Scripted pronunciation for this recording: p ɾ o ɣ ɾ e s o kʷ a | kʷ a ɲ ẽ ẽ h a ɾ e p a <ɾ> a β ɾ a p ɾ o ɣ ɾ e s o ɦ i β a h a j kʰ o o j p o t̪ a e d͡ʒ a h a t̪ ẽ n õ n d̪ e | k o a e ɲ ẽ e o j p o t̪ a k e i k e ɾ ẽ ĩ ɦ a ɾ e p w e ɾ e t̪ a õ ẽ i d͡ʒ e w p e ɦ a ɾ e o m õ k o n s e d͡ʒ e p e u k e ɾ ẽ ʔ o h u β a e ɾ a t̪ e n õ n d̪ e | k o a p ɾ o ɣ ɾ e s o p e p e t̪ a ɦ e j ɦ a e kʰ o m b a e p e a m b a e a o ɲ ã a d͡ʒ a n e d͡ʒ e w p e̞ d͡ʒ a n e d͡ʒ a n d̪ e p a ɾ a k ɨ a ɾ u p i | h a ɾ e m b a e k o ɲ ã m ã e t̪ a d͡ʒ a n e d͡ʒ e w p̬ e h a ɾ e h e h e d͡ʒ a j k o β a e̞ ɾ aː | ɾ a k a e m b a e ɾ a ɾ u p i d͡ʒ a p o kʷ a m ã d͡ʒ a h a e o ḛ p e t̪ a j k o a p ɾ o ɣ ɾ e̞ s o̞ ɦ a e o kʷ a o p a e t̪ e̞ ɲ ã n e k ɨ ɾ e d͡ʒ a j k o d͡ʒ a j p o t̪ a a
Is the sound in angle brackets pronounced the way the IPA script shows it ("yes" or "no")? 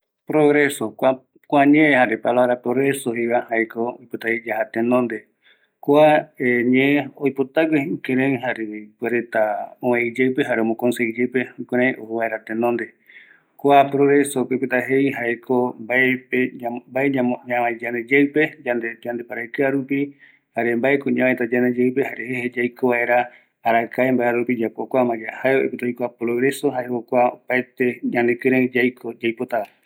no